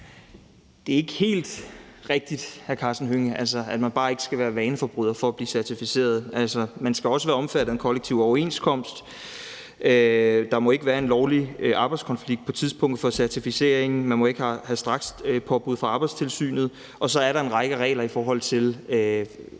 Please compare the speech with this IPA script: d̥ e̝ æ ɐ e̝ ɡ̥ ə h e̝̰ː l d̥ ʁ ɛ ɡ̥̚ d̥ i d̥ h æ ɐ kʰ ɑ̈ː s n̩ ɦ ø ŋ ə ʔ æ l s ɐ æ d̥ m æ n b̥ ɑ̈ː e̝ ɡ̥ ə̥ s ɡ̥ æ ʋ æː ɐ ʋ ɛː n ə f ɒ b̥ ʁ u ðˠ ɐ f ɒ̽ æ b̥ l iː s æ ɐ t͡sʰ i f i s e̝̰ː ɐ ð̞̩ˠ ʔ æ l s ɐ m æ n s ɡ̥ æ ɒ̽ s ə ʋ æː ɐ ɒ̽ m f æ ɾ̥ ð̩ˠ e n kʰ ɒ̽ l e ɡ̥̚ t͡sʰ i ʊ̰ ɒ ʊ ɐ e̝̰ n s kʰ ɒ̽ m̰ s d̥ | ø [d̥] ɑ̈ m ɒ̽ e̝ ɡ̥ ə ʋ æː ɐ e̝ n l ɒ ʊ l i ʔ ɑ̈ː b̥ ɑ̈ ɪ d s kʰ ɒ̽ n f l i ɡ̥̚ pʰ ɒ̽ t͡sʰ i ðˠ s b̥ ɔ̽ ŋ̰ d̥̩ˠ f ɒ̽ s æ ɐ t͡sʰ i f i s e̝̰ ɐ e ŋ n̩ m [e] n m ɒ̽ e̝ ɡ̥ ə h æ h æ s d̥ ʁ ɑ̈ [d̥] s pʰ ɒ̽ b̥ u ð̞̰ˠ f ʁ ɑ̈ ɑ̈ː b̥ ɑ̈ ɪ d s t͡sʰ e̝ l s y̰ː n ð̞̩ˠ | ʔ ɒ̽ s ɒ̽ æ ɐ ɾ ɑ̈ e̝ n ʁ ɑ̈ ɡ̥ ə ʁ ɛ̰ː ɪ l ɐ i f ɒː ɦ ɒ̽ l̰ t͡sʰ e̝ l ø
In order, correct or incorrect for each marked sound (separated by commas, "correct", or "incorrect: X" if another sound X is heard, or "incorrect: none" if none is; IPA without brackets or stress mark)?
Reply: correct, incorrect: æ, incorrect: ɡ̥